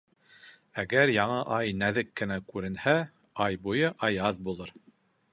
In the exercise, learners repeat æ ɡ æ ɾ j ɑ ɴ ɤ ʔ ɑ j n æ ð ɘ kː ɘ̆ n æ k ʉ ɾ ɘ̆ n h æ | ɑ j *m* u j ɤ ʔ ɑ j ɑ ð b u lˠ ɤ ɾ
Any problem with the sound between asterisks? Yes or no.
yes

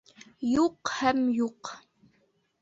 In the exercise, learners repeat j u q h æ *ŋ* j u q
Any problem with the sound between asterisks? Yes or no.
yes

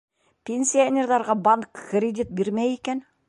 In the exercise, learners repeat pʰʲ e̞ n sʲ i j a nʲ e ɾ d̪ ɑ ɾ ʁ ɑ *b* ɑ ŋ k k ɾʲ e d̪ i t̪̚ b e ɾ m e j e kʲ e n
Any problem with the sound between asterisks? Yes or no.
no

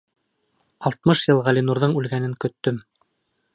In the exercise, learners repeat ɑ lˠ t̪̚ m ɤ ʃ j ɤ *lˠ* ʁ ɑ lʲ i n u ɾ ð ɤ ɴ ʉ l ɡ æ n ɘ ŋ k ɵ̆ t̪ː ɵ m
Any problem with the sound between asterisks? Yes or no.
no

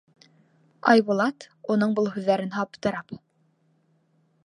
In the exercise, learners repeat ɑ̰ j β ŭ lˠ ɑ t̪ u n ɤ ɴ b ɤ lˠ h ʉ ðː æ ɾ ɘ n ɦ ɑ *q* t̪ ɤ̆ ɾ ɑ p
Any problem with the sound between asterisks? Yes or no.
yes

